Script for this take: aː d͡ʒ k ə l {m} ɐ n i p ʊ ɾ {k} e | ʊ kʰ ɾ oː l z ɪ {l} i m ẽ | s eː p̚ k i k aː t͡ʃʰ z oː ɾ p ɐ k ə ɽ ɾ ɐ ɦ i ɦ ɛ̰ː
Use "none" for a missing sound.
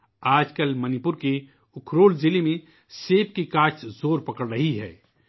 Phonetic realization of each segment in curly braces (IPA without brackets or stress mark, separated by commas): m, k, l